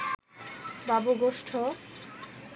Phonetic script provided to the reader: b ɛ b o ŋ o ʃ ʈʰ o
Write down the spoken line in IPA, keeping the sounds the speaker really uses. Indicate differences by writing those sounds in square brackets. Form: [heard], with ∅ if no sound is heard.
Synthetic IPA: b [a] b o [ɡ] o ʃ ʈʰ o

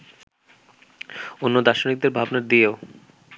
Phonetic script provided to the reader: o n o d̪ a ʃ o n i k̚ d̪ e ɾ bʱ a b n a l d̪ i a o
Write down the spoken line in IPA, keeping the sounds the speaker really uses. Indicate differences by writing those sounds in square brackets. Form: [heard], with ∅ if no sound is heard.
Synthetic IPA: o [nː] o d̪ a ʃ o n i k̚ d̪ e ɾ bʱ a b n a [ɾ] d̪ i [e] o

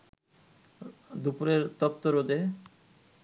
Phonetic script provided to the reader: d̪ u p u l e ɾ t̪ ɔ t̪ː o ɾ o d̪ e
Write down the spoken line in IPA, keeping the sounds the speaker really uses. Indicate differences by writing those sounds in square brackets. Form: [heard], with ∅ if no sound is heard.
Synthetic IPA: d̪ u p u [ɾ] e ɾ t̪ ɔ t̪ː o ɾ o d̪ e

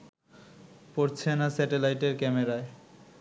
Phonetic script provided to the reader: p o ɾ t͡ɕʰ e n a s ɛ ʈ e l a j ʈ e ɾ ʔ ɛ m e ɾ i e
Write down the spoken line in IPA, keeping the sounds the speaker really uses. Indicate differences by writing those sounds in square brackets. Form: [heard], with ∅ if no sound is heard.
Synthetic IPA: p o ɾ t͡ɕʰ e n a s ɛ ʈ e l a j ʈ e ɾ [k] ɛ m e ɾ [a] e

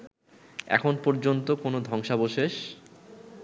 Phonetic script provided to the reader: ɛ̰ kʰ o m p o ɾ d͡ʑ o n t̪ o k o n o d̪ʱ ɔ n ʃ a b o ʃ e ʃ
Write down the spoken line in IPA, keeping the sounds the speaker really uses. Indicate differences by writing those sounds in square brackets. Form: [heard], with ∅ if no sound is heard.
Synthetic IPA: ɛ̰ kʰ o [n] p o ɾ d͡ʑ o n t̪ o k o n o d̪ʱ ɔ [ŋ] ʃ a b o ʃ e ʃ

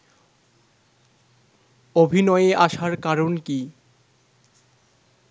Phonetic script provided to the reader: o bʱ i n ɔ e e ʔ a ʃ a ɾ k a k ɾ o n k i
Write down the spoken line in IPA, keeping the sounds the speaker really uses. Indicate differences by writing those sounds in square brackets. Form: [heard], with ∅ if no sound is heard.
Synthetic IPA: o bʱ i n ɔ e e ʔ a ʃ a ɾ k a [∅] ɾ o n k i

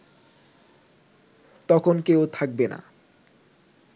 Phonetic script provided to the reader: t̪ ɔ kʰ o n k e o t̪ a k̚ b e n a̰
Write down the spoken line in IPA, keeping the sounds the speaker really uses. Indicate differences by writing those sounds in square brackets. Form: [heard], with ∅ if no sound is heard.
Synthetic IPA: t̪ ɔ kʰ o n k e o [t̪ʰ] a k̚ b e n a̰

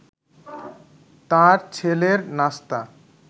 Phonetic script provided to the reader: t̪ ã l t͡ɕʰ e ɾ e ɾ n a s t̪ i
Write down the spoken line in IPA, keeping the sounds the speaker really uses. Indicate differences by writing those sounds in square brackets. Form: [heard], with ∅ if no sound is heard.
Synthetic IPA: t̪ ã [ɾ] t͡ɕʰ e [l] e ɾ n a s t̪ [a]

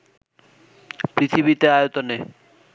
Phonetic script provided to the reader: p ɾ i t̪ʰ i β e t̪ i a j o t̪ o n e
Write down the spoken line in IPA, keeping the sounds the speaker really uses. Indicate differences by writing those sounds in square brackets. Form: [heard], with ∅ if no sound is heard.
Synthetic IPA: p ɾ i t̪ʰ i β [i] t̪ [e] a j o t̪ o n e

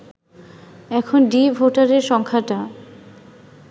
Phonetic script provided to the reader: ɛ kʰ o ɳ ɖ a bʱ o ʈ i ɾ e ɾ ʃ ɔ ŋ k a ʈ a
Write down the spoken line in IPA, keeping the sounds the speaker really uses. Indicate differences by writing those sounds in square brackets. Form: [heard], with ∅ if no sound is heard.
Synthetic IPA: ɛ kʰ o [n] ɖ [i] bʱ o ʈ [a] ɾ e ɾ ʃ ɔ ŋ [kʰ] a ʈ a

